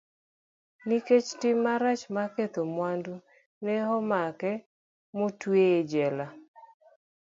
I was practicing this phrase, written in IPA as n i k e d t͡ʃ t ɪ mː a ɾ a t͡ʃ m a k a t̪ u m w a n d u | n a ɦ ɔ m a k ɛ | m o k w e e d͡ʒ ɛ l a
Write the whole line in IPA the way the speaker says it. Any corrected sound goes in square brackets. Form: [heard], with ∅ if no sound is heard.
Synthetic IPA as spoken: n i k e [∅] t͡ʃ t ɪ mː a ɾ a t͡ʃ m a k [e] t̪ [o] m w a n d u | n [ɛ] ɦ ɔ m a k ɛ | m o [t] w e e d͡ʒ ɛ l a